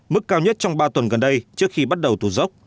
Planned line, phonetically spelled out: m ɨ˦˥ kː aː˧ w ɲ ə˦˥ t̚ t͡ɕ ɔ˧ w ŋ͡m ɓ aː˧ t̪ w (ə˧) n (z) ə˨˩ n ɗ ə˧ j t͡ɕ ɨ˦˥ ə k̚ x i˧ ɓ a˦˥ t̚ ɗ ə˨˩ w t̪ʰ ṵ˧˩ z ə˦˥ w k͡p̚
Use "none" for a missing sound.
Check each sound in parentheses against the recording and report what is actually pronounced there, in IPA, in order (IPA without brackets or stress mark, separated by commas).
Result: ə˨˩, ɣ